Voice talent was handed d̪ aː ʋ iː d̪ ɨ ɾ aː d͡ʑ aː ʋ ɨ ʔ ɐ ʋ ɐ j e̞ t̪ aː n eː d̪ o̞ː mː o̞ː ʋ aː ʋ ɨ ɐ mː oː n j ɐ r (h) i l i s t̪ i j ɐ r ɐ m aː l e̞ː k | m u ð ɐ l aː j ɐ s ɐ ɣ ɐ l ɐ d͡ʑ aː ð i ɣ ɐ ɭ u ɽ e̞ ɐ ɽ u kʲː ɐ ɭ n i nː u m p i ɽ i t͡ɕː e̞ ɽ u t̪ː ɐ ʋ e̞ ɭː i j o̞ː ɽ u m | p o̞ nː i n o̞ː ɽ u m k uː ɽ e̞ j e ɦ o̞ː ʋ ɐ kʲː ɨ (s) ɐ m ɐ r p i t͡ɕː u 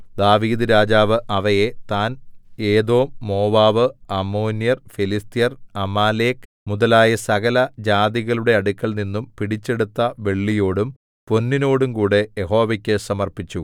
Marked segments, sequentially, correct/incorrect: incorrect: f, correct

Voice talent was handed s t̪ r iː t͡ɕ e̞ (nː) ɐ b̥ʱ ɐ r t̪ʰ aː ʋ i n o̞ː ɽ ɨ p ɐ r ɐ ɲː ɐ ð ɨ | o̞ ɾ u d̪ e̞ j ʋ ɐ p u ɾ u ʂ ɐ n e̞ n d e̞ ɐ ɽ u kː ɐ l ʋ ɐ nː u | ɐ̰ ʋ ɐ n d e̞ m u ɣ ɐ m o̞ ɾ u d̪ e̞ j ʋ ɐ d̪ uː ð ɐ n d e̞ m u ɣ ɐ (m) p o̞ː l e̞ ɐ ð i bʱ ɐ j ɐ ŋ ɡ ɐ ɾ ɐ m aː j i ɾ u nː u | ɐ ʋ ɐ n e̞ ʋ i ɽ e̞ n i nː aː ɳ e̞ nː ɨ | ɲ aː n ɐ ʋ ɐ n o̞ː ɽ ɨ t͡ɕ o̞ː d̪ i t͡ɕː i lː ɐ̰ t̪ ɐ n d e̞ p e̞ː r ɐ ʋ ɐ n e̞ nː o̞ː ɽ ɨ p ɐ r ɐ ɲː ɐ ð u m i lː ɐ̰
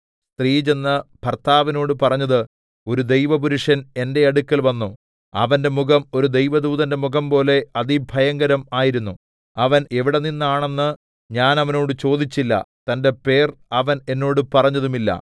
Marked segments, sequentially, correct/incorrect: correct, correct

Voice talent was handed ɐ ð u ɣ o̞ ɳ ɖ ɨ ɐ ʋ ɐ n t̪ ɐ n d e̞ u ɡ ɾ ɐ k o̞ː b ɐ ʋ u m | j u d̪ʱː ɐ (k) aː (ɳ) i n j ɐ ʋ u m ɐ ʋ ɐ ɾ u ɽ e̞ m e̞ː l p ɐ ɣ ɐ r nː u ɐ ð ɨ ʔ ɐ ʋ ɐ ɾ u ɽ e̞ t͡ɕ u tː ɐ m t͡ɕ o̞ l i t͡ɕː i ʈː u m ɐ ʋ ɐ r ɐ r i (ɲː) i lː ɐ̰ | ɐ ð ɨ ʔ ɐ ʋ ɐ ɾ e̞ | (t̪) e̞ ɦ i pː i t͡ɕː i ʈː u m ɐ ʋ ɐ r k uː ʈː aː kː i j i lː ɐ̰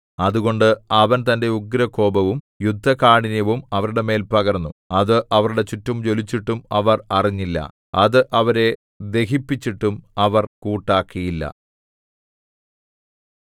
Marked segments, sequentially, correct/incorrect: correct, correct, correct, incorrect: d̪

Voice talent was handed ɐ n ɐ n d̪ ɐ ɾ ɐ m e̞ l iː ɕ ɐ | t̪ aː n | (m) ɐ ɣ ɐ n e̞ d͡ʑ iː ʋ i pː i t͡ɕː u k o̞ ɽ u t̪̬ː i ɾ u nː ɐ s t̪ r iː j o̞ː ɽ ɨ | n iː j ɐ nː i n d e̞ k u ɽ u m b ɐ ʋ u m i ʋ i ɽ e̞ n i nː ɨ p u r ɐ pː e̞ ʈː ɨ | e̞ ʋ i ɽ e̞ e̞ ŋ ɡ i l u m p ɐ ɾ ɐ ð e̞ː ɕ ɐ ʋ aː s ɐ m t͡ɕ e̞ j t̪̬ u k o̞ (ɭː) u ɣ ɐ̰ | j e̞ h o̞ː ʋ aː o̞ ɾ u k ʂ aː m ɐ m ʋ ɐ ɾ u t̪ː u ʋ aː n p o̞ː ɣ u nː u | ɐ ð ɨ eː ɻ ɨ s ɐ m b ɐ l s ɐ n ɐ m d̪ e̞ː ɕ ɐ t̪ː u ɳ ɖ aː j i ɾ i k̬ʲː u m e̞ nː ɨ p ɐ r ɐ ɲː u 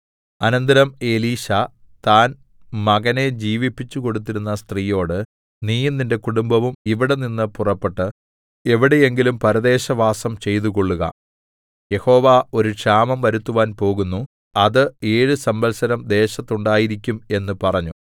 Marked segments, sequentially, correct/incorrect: correct, correct

